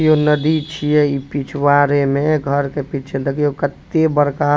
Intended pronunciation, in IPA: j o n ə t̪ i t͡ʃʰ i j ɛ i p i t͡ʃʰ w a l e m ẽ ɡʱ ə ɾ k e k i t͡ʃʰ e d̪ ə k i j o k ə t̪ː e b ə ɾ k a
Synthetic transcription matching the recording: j o n ə d̪ i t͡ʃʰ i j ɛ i p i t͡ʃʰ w a ɾ e m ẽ ɡʱ ə ɾ k e p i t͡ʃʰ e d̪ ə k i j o k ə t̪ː e b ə ɾ k a